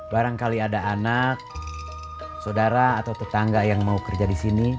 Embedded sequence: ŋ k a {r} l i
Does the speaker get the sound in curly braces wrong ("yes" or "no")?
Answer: yes